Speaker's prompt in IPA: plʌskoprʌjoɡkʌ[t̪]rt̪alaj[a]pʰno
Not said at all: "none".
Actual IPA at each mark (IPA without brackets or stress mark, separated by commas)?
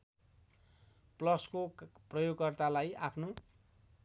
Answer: none, a